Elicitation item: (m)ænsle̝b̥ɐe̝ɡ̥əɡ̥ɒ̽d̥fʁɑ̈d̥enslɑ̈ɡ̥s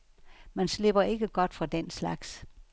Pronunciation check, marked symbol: correct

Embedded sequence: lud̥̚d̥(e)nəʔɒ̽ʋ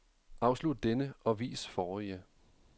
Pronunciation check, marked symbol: correct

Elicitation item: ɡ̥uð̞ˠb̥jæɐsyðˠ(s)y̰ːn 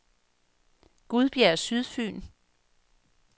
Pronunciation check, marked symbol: incorrect: f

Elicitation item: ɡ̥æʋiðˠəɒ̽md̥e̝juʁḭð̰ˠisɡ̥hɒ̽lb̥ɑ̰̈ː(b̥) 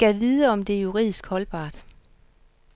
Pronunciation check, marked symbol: incorrect: d̥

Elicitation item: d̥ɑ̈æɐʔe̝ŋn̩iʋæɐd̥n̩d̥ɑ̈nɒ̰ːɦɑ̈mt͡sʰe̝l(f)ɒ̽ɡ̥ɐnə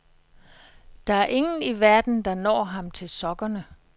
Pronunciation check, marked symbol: incorrect: s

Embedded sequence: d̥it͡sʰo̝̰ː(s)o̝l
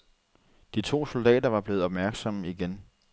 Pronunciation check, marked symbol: correct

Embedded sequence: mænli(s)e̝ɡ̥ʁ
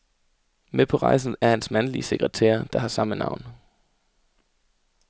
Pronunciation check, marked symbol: correct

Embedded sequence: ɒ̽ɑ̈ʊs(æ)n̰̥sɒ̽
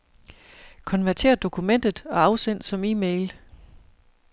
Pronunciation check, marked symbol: incorrect: e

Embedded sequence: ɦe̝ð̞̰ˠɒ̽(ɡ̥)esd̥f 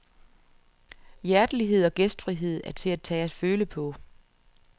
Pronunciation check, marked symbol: correct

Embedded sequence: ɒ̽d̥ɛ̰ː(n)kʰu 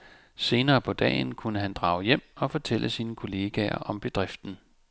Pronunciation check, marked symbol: correct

